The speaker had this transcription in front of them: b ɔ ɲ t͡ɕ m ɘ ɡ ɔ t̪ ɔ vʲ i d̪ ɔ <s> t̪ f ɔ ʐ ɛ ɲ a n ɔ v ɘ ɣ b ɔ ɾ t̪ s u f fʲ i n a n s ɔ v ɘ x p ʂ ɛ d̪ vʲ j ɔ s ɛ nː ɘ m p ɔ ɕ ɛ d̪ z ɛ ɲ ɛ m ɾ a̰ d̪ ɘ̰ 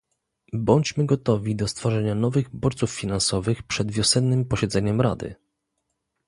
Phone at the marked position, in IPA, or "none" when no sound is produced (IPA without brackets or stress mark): s